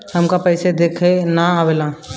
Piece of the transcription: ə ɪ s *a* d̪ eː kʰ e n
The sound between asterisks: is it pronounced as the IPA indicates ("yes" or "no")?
no